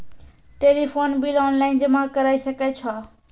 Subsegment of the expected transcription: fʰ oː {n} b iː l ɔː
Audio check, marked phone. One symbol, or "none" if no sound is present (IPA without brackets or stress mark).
n